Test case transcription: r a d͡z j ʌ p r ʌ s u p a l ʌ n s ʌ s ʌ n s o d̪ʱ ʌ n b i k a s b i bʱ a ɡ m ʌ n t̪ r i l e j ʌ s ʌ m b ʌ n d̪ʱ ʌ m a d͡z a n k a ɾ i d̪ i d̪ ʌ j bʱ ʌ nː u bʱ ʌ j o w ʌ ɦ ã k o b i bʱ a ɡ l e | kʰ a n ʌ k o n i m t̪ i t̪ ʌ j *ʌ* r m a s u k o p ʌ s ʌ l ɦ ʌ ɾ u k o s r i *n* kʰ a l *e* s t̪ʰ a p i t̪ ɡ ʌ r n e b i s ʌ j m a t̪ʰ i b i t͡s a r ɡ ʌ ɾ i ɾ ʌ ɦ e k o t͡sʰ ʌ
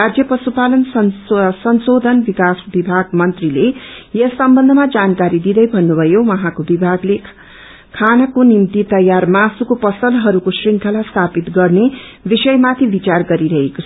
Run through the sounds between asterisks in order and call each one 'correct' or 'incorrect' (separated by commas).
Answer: incorrect, incorrect, incorrect